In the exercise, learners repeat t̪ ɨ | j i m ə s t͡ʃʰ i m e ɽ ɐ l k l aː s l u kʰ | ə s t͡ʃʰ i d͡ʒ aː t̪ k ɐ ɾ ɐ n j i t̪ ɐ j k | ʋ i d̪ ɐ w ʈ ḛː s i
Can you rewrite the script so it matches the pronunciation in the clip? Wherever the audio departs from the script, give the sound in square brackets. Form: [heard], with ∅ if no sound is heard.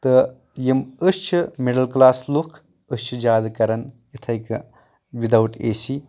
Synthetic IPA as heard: t̪ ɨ | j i m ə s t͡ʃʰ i m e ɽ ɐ l k l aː s l u kʰ | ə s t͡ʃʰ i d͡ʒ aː [d̪] k ɐ ɾ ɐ n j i [t̪ʰ] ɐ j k | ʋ i d̪ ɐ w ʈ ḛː s i

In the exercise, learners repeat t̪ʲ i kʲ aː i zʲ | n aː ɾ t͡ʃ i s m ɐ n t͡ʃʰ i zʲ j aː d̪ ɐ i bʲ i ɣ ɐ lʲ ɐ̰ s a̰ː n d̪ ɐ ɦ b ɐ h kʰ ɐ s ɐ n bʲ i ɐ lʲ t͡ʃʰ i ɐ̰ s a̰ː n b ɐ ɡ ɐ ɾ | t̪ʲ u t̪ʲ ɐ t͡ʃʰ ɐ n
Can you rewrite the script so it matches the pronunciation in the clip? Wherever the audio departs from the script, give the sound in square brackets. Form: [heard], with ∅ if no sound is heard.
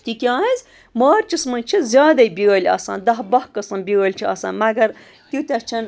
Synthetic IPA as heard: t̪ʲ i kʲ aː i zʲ | [m] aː ɾ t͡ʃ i s m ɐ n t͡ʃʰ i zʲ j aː d̪ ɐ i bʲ i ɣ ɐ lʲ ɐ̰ s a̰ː n d̪ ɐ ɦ b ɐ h [k] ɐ s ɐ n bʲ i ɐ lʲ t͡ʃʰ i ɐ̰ s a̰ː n [m] ɐ ɡ ɐ ɾ | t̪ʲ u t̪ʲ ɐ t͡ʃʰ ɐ n

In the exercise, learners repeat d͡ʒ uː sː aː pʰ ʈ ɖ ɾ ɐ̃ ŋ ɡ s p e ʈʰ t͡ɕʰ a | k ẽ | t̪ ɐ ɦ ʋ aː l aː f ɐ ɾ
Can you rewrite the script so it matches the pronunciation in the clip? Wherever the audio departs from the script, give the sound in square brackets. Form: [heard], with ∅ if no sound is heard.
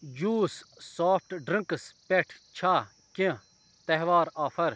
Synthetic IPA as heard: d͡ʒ uː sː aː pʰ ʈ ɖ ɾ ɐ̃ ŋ [k] s p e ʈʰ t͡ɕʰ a | k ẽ | t̪ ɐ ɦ ʋ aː [ɾ] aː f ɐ ɾ

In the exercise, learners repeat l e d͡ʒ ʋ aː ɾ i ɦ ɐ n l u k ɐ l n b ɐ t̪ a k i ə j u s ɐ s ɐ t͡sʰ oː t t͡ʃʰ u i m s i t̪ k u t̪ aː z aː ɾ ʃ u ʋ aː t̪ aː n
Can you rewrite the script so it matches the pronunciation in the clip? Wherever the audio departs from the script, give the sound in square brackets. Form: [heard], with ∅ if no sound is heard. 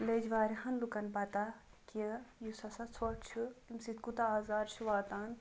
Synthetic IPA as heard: l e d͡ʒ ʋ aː ɾ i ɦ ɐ n l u k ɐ [∅] n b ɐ t̪ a k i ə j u s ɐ s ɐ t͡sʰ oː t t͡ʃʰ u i m s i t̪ k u t̪ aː z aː ɾ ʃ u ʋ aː t̪ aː n

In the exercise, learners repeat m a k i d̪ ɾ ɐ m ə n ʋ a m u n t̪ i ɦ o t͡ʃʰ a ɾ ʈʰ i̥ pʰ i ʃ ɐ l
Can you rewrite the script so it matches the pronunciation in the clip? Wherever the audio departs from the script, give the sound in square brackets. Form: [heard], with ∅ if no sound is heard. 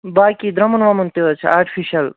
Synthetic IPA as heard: [b] a k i d̪ ɾ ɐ m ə n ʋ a m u n t̪ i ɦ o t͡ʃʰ a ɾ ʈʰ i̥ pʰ i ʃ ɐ l

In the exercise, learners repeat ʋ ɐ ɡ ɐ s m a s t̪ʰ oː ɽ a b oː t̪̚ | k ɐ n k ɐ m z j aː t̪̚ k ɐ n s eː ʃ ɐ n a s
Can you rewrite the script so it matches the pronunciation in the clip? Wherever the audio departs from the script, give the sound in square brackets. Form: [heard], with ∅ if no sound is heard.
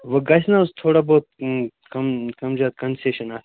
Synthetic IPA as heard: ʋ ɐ ɡ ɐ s [n] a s t̪ʰ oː ɽ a b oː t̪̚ | k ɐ [m] k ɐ m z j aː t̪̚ k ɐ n s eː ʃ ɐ n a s

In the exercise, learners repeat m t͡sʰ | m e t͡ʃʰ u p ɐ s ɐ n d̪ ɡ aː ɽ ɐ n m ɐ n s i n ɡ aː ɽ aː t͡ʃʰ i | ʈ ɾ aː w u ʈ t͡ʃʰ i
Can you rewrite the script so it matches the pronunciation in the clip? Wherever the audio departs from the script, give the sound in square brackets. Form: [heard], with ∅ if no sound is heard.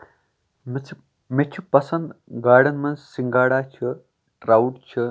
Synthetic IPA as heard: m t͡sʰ | m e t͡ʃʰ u p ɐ s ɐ n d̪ ɡ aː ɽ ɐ n m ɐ n s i [ŋ] ɡ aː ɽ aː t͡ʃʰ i | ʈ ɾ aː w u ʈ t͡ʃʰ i

